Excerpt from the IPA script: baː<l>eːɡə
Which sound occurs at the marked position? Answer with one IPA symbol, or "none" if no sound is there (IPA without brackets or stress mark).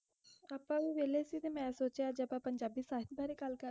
ɾ